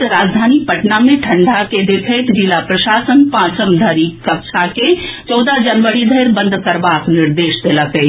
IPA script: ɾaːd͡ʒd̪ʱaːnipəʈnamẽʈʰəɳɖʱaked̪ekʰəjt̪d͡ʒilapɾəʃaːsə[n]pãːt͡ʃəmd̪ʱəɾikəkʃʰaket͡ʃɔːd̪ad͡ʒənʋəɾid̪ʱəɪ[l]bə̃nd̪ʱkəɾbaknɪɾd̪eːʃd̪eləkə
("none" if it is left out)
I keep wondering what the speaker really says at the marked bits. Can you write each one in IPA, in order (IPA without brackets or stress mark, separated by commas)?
n, ɾ